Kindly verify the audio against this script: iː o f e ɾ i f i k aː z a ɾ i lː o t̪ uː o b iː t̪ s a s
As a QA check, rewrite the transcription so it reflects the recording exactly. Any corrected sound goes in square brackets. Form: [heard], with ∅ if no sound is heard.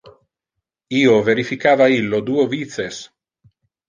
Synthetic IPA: iː o [v] e ɾ i f i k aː [v] a [∅] i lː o [d̪] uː o [v] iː t̪ s [e] s